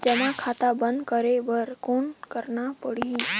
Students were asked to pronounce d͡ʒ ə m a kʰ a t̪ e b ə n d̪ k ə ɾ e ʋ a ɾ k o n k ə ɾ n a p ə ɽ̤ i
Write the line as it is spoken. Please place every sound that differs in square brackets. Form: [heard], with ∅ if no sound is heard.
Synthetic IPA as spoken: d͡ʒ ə m a kʰ a t̪ [a] b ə n d̪ k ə ɾ e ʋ [ə] ɾ k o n k ə ɾ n a p ə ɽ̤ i